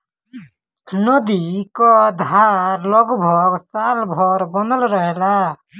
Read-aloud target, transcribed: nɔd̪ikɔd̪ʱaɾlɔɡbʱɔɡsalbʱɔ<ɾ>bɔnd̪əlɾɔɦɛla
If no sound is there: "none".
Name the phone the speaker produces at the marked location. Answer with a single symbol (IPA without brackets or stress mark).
ɾ